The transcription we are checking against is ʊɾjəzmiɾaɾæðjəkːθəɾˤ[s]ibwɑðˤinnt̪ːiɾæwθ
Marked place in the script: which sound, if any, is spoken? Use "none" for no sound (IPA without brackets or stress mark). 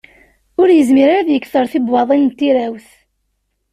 θ